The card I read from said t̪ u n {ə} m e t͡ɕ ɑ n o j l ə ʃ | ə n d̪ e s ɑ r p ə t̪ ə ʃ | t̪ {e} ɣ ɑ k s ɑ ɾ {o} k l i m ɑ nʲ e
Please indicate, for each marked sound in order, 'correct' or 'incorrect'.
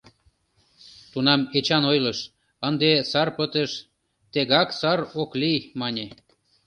incorrect: ɑ, correct, correct

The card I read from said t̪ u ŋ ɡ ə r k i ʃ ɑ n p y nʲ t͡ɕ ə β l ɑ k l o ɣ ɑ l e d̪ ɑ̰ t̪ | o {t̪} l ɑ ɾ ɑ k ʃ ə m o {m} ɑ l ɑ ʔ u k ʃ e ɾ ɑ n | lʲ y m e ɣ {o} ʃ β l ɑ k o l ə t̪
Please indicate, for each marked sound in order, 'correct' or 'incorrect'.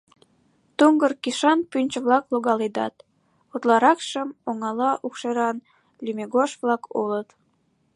correct, incorrect: ŋ, correct

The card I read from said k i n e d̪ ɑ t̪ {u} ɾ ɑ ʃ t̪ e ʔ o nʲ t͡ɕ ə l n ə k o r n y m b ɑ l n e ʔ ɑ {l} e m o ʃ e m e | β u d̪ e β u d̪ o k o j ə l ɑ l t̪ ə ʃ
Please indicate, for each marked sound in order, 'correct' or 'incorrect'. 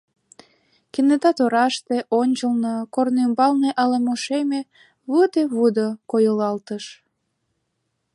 incorrect: o, correct

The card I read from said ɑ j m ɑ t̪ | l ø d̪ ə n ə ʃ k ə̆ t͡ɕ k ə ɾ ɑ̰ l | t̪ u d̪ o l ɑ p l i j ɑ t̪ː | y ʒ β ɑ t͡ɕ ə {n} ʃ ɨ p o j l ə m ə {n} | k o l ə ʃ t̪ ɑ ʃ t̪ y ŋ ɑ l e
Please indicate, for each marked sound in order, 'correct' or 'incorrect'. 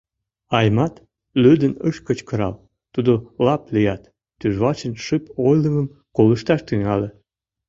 correct, incorrect: m

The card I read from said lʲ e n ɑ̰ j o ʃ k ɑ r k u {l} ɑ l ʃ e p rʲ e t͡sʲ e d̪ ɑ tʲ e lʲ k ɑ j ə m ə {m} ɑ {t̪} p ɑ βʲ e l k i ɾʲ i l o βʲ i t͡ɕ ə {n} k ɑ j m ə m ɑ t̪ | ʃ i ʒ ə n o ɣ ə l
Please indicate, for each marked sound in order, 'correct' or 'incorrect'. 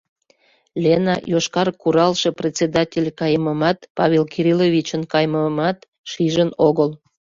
incorrect: ɾ, correct, correct, correct

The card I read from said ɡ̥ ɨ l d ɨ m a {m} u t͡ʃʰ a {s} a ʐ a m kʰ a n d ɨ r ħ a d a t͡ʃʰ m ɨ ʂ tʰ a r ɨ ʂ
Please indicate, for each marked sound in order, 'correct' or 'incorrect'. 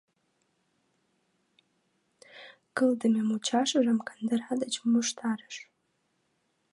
correct, incorrect: ʂ

